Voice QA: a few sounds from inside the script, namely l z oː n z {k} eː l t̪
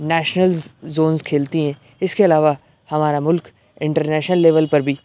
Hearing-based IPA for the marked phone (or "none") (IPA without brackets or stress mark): kʰ